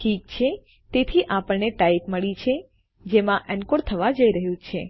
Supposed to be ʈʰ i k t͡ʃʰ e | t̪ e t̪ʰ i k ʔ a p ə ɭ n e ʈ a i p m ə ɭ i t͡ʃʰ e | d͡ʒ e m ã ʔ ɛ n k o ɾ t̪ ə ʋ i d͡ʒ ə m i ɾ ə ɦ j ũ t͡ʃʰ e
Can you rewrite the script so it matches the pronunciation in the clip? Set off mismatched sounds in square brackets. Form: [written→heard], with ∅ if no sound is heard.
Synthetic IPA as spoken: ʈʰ i k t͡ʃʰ e | t̪ e t̪ʰ i [k→∅] ʔ a p ə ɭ n e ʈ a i p m ə ɭ i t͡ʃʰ e | d͡ʒ e m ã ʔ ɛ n k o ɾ [t̪→t̪ʰ] ə ʋ [i→a] d͡ʒ ə [m→∅] i ɾ ə ɦ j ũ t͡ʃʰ e